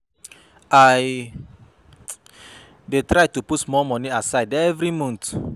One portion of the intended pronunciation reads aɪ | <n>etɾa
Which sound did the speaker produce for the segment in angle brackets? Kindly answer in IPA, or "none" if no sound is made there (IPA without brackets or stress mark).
d